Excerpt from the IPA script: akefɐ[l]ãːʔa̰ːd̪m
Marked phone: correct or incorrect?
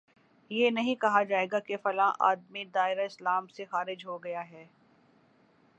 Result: correct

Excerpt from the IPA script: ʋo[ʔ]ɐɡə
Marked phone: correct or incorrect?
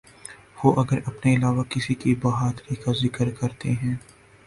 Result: correct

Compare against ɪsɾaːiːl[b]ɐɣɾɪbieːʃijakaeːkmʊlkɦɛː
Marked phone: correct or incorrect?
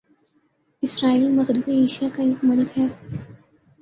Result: incorrect: m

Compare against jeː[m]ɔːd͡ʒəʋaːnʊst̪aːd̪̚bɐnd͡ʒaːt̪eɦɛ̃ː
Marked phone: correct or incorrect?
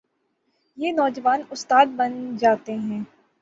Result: incorrect: n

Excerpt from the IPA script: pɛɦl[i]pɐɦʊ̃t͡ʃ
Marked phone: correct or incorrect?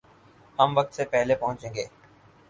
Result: incorrect: e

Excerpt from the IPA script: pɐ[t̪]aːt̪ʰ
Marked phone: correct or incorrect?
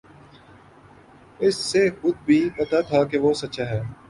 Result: correct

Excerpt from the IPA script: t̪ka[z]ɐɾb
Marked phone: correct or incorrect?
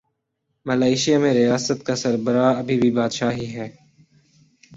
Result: incorrect: s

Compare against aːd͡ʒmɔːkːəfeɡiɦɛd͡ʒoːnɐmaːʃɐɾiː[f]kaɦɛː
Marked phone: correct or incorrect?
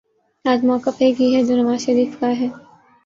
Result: correct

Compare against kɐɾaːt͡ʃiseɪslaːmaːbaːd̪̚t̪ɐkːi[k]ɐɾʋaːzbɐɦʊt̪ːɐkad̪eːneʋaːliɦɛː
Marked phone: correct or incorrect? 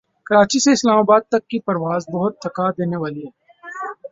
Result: incorrect: p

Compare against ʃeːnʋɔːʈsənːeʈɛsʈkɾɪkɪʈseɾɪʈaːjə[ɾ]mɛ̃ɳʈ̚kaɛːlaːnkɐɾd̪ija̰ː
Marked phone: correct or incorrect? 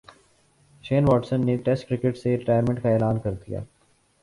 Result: correct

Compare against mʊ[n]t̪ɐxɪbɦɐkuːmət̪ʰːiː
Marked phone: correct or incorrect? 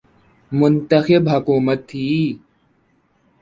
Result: correct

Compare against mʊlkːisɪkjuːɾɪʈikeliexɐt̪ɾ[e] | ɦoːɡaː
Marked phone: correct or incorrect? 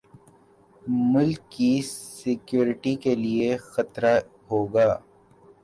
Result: incorrect: a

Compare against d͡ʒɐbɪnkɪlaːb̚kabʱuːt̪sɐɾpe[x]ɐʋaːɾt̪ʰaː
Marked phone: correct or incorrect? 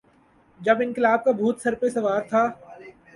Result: incorrect: s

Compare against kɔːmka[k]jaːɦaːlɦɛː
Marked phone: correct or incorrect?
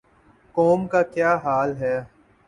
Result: correct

